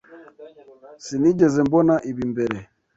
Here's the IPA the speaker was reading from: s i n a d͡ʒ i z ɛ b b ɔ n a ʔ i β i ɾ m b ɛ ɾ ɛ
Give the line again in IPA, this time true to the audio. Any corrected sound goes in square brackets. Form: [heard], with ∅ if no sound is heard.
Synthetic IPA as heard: s i n [i] d͡ʒ [ɛ] z ɛ [m] b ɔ n a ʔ i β i [∅] m b ɛ ɾ ɛ